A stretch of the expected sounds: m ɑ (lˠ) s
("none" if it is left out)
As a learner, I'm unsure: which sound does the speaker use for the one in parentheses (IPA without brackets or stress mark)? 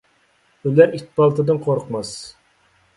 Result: none